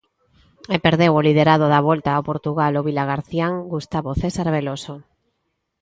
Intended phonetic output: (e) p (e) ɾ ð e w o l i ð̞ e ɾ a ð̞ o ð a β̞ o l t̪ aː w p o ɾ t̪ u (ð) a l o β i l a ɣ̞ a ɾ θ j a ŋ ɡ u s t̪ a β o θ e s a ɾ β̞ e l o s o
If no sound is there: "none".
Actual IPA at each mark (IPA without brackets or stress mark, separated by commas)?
e, e, ɣ